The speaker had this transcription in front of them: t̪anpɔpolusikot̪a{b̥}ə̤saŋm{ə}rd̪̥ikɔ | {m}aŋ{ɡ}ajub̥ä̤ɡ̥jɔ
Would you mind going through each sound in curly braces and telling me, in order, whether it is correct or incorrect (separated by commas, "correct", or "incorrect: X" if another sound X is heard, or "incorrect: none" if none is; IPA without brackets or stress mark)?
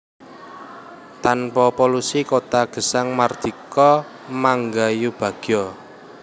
incorrect: ɡ̥, incorrect: a, correct, correct